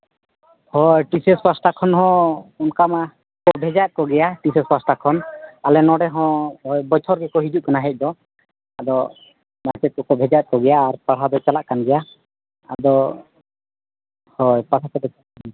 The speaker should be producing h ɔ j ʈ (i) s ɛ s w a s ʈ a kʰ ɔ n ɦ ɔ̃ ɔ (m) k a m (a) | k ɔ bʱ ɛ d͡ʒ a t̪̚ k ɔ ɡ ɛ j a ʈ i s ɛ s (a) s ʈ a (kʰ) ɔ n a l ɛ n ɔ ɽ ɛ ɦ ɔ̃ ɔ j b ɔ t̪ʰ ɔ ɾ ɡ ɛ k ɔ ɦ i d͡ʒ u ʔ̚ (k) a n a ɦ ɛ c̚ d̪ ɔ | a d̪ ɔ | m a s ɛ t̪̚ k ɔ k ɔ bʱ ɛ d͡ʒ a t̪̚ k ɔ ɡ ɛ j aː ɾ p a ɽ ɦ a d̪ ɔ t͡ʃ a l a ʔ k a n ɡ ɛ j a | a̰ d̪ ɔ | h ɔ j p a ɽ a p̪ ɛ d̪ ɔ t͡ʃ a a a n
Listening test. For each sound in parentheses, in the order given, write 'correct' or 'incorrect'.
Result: correct, incorrect: n, correct, correct, correct, correct

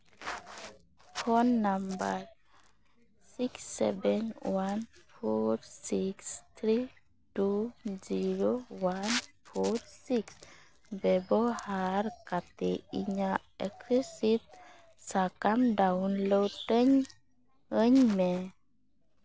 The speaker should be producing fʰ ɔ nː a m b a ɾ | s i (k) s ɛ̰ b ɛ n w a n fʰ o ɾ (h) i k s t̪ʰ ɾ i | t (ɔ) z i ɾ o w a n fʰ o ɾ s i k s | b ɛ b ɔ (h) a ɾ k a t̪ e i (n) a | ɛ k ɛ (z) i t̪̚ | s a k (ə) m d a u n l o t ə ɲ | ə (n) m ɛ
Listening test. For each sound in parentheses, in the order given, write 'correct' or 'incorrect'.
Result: correct, incorrect: s, incorrect: u, correct, incorrect: ɲ, incorrect: s, incorrect: a, incorrect: ɲ

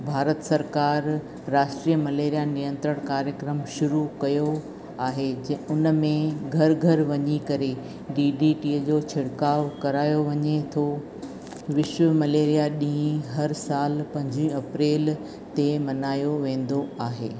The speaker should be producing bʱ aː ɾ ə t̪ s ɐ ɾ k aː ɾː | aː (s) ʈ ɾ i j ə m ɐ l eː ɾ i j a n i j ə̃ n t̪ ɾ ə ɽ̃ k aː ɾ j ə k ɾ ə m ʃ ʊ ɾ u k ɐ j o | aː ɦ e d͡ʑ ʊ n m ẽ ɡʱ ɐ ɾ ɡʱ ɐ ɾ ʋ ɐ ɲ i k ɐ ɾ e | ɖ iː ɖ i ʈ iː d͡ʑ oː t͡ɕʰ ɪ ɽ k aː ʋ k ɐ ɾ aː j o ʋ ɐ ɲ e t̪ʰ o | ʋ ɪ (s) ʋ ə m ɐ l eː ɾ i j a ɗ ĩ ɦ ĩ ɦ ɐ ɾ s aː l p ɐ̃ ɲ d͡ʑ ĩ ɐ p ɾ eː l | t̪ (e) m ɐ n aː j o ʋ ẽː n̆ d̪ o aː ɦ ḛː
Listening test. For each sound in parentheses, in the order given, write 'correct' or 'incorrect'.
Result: incorrect: ʃ, incorrect: ʃ, correct

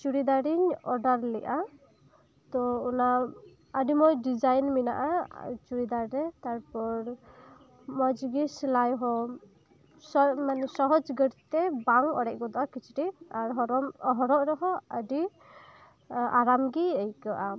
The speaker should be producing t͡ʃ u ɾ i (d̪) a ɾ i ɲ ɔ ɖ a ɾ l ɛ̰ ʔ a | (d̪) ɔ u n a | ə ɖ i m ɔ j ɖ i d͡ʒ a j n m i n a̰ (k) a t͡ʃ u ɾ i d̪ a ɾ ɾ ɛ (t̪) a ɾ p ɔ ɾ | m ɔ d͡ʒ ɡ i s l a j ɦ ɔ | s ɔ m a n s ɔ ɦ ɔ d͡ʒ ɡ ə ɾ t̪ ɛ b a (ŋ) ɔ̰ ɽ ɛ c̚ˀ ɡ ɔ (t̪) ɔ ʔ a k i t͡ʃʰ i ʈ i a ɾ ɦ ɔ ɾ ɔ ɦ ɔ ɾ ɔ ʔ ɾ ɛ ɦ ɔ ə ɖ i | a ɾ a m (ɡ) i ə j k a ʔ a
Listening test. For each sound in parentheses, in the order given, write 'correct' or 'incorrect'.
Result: correct, incorrect: t̪, incorrect: ʔ, correct, correct, incorrect: d̪, correct

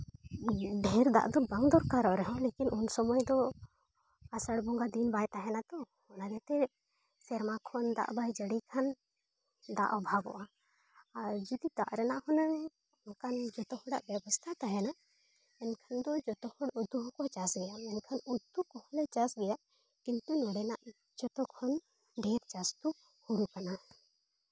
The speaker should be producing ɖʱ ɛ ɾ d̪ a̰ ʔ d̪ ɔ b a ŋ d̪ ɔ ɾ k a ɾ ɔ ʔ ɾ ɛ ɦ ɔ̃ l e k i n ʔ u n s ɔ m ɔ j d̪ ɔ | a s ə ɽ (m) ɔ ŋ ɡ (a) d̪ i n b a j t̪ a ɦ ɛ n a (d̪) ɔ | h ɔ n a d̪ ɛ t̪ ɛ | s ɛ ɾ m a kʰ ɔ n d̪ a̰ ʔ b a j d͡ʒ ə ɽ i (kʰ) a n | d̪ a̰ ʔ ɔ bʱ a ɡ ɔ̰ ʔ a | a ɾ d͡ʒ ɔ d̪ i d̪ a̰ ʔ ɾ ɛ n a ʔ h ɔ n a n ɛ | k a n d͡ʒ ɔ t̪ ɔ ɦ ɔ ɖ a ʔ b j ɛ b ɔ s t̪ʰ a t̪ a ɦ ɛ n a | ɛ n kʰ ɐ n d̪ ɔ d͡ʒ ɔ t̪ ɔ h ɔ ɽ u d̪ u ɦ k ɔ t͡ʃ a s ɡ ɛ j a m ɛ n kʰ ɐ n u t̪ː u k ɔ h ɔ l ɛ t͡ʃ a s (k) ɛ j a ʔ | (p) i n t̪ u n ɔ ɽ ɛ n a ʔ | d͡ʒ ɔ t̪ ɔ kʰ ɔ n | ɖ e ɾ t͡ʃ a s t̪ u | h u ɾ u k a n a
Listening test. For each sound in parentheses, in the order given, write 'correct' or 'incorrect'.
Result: incorrect: b, correct, incorrect: t̪, correct, incorrect: ɡ, incorrect: k

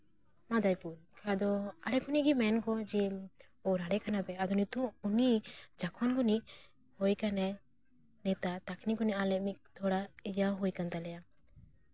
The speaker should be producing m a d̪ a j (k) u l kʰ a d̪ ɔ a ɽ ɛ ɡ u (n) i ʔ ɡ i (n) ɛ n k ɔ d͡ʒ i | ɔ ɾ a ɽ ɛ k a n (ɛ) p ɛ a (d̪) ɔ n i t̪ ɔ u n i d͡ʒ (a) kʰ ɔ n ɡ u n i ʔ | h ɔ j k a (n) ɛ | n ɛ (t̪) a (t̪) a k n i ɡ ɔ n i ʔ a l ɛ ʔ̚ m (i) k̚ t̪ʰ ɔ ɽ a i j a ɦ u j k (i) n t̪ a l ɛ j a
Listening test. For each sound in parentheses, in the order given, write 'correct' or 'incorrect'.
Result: incorrect: p, correct, incorrect: m, incorrect: a, correct, correct, correct, correct, correct, correct, incorrect: a

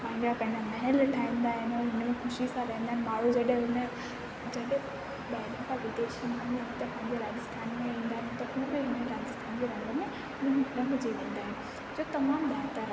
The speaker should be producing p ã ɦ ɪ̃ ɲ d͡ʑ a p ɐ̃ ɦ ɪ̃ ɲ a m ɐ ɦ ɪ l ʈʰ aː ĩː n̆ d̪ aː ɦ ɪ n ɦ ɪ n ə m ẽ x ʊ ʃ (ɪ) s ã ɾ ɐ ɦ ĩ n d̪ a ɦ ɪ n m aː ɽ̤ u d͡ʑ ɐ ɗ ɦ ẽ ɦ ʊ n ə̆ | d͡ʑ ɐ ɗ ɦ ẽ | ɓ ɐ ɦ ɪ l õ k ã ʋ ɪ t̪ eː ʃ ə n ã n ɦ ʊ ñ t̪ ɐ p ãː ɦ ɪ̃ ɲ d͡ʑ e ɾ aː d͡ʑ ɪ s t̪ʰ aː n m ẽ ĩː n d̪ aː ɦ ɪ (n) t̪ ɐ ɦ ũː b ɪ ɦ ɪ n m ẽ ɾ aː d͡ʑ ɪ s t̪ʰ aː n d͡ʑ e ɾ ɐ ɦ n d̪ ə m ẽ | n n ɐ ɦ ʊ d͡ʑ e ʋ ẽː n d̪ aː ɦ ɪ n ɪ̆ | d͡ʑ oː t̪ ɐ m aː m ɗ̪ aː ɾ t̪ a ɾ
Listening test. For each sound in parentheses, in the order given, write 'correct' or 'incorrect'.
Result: incorrect: i, correct

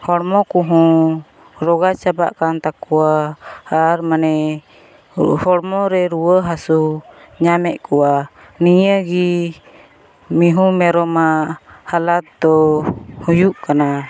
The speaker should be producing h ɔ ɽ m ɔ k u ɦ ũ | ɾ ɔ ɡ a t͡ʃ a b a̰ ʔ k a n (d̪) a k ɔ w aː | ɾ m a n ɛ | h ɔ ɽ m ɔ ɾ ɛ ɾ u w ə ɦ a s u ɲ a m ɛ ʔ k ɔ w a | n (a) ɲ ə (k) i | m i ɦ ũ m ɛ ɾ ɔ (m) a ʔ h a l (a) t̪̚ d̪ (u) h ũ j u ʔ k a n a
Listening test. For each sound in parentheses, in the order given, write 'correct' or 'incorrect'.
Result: incorrect: t̪, incorrect: i, incorrect: ɡ, correct, correct, incorrect: ɔ

